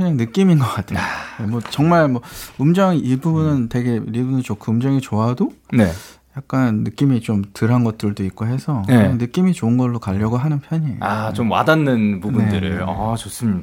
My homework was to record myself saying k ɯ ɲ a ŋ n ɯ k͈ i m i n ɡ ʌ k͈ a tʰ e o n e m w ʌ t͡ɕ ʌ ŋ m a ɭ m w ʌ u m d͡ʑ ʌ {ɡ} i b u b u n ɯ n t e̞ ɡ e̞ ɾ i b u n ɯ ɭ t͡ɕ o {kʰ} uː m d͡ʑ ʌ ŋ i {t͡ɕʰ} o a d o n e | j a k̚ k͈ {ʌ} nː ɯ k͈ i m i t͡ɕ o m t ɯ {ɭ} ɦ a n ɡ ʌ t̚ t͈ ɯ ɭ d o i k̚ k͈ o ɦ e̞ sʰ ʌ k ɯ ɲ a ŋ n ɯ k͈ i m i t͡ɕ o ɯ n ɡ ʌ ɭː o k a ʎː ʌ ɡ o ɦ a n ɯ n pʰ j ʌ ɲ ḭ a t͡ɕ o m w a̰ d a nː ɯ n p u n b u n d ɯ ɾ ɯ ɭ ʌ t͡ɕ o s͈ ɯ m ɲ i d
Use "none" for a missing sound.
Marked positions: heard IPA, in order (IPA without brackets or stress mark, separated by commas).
ŋ, kʰ, t͡ɕ, a, ɾ